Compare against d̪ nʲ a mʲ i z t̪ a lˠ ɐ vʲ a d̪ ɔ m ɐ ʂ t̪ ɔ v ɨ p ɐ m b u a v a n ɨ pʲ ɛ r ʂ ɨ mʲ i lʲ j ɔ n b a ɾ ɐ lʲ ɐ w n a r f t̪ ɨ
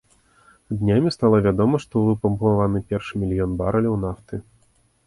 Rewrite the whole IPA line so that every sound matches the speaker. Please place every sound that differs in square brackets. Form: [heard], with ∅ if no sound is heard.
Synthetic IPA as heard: d̪ nʲ a mʲ i [s] t̪ a lˠ ɐ vʲ a d̪ ɔ m ɐ ʂ t̪ ɔ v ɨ p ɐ m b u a v a n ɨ pʲ ɛ r ʂ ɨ mʲ i lʲ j ɔ n b a ɾ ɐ lʲ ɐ w n a [∅] f t̪ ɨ